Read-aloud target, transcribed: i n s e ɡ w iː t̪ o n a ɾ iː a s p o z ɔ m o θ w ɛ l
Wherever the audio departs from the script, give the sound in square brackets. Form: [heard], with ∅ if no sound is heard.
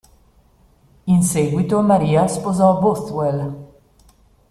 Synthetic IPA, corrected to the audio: i n s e ɡ w [i] t̪ o [m] a ɾ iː a s p o z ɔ [b] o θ w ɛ l